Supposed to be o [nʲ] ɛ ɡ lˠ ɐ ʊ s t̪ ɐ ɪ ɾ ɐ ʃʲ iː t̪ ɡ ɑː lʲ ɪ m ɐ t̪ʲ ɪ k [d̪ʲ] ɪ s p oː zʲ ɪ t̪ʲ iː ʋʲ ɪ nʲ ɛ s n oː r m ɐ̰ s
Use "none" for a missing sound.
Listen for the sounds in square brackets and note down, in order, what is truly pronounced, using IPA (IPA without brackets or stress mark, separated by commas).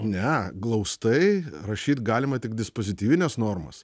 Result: nʲ, d̪ʲ